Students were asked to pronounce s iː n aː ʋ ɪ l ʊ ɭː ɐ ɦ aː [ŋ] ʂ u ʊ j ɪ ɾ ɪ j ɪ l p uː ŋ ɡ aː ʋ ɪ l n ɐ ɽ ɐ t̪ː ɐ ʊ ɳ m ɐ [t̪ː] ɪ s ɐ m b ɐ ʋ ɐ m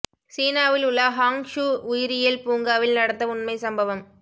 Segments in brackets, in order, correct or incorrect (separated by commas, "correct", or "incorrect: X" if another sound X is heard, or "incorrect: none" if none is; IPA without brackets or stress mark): correct, incorrect: none